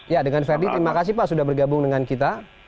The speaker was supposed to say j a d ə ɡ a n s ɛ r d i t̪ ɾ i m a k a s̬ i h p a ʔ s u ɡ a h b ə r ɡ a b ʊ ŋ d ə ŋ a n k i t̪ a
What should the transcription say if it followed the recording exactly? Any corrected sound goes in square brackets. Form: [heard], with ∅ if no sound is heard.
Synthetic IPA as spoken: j a d ə [ŋ] a n [f] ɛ r d i t̪ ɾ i m a k a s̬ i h p a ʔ s u [d] a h b ə r ɡ a b ʊ ŋ d ə ŋ a n k i t̪ a